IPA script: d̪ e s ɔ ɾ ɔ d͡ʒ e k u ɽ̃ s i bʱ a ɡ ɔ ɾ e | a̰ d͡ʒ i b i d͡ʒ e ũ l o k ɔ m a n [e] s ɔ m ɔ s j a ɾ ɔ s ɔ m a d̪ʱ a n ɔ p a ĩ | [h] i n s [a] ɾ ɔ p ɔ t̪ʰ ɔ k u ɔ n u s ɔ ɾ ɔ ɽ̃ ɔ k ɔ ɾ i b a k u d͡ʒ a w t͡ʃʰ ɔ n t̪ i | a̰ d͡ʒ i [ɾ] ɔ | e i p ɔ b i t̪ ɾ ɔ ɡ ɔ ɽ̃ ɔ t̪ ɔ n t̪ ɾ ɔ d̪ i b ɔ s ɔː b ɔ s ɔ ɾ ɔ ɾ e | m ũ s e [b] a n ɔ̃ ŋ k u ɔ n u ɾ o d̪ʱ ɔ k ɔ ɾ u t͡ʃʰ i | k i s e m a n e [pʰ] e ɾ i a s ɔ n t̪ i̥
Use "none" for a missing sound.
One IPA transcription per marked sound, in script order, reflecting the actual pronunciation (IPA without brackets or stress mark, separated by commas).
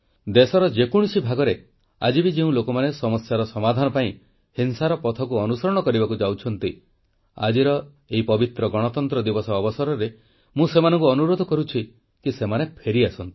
e, h, a, ɾ, m, pʰ